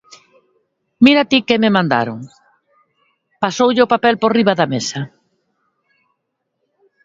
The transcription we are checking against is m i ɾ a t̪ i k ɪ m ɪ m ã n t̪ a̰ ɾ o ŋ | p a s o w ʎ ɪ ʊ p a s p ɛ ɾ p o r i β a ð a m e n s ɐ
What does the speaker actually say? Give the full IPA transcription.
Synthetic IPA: m i ɾ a t̪ i k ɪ m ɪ m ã n d̪ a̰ ɾ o ŋ | p a s o w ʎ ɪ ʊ p a p ɛ l p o r i β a ð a m e s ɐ